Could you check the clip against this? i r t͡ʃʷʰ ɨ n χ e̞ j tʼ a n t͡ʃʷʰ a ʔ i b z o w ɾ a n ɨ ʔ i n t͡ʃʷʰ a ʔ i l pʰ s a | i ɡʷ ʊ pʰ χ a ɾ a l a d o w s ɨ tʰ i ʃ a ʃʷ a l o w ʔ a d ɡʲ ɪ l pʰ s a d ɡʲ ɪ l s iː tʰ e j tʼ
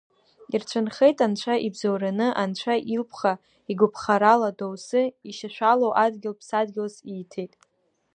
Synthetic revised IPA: i r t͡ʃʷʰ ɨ n χ e̞ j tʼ a n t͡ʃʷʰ a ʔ i b z o w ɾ a n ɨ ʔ a n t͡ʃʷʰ a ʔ i l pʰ χ a | i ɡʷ ʊ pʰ χ a ɾ a l a d o w s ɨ i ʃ a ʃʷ a l o w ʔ a d ɡʲ ɪ l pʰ s a d ɡʲ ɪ l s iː tʰ e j tʼ